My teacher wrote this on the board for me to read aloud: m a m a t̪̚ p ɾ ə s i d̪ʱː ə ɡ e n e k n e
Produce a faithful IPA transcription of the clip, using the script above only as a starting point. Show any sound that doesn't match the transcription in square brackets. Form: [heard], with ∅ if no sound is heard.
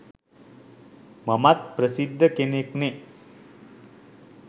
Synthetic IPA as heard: m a m a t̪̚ p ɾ ə s i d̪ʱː ə [k] e n e k n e

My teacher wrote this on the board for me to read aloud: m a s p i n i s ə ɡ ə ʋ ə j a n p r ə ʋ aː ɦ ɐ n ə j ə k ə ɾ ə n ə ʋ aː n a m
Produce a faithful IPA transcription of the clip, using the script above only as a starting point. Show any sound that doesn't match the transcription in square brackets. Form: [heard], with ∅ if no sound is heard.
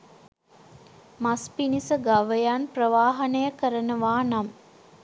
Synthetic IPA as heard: m a s p i n i s ə ɡ [a] ʋ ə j a n p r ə ʋ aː ɦ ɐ n ə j ə k ə ɾ ə n ə ʋ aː n a m

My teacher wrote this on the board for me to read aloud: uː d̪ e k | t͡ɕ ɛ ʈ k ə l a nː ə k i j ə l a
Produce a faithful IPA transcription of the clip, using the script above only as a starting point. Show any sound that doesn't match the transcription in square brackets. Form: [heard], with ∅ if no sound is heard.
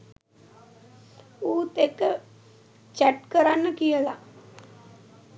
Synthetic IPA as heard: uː [t̪] e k | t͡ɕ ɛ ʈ k ə [ɾ] a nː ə k i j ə l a

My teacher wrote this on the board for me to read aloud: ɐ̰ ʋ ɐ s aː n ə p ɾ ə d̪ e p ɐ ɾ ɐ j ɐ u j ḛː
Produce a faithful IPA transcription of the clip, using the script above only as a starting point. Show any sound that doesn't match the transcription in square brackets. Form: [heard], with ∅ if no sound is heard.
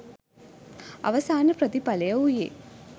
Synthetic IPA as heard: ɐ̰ ʋ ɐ s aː n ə p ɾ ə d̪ [i] p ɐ [l] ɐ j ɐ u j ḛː

